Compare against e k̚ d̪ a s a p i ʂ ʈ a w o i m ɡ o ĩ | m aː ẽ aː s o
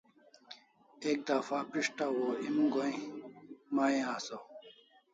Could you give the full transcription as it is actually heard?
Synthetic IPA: e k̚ d̪ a f a p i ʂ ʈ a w o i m ɡ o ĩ | m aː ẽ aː s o